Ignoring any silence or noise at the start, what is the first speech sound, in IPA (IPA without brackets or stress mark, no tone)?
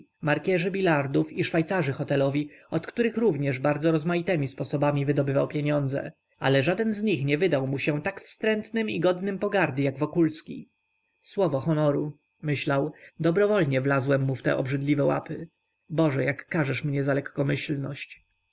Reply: m